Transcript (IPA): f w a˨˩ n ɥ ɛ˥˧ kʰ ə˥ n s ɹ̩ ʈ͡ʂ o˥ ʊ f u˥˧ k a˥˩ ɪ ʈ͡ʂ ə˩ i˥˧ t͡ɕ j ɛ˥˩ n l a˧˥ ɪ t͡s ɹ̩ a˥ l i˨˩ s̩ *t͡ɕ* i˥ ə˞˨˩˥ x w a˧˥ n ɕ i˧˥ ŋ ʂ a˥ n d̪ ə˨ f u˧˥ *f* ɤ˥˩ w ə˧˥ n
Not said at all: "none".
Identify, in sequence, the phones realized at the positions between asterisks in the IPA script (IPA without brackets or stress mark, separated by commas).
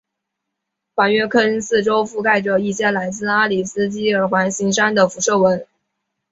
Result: t͡ɕ, ʂ